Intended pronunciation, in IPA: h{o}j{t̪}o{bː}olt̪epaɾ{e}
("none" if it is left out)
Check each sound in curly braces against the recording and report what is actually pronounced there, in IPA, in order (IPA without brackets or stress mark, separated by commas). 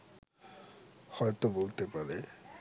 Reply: ɔ, t̪, b, e